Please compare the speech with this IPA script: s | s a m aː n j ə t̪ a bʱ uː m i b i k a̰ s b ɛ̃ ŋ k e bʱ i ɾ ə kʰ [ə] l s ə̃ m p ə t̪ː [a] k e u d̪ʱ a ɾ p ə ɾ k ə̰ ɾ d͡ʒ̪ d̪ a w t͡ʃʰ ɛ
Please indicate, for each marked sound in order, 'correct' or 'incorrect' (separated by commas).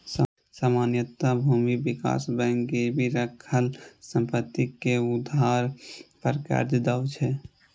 correct, incorrect